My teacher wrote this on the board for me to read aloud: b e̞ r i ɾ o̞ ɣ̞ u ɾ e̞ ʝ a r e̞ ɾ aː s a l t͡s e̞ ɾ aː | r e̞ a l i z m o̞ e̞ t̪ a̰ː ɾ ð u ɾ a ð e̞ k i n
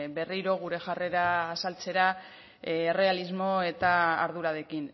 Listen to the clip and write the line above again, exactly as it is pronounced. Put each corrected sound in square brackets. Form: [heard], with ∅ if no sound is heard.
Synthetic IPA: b e̞ r i ɾ o̞ ɣ̞ u ɾ e̞ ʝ a r e̞ ɾ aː s a l t͡s e̞ ɾ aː | r e̞ a l i z m o̞ e̞ t̪ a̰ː ɾ ð u ɾ a ð e̞ k i n